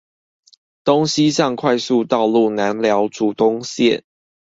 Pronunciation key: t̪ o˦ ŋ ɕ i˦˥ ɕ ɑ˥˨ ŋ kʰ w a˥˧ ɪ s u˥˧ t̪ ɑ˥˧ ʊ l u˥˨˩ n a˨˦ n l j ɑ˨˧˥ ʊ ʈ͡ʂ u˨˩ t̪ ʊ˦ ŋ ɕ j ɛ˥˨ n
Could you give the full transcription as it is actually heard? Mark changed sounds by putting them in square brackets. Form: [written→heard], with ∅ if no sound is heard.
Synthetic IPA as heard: t̪ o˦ ŋ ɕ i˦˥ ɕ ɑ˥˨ ŋ kʰ w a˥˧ ɪ s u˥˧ t̪ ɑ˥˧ ʊ l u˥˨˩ n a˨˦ n l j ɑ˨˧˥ ʊ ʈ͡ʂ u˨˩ t̪ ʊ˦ ŋ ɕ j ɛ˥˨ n